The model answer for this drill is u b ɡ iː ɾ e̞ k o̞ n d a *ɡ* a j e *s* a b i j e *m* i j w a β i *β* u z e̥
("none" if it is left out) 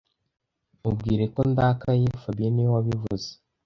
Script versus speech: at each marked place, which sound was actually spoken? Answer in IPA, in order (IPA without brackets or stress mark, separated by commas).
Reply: k, f, n, v